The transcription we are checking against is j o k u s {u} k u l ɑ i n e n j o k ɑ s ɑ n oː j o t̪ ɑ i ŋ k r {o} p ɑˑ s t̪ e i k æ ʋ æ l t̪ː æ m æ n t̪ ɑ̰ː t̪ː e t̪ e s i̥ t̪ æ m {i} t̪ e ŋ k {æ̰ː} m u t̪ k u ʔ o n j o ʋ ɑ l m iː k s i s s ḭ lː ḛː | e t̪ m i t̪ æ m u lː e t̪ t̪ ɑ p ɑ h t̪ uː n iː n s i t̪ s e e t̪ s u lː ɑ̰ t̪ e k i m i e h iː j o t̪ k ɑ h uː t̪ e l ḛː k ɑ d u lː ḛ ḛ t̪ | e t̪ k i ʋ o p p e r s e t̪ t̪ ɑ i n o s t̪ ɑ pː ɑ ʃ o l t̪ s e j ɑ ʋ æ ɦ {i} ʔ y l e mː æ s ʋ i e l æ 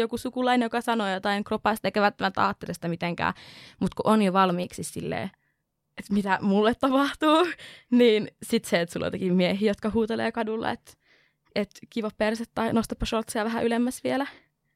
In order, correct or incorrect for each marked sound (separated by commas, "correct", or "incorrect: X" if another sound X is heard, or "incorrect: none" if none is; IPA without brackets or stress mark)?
correct, correct, correct, correct, incorrect: æ